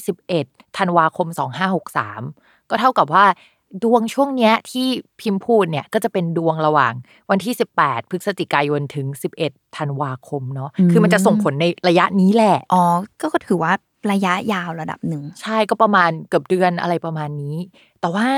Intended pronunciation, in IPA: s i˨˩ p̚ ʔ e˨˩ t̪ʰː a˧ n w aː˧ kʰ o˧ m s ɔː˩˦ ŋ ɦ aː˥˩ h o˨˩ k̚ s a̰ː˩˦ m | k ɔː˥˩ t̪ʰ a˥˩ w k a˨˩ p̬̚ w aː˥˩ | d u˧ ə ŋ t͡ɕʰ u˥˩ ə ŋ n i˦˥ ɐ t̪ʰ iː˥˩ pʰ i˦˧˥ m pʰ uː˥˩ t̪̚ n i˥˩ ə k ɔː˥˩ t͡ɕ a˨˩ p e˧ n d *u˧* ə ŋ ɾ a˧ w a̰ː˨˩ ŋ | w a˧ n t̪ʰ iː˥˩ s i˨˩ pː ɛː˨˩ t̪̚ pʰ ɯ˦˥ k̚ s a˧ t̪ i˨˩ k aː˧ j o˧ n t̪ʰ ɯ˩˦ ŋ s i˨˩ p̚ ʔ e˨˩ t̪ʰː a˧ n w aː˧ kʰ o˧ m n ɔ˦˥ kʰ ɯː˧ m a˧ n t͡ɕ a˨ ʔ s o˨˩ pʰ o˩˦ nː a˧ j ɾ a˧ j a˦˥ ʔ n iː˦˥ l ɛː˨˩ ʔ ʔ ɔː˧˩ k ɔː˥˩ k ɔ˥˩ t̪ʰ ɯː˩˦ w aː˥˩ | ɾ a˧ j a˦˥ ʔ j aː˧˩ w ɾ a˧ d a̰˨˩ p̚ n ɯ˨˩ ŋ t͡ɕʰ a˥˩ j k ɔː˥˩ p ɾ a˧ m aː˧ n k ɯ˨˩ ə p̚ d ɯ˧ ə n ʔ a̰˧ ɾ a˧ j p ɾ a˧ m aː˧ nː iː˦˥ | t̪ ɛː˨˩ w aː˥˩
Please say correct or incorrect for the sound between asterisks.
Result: correct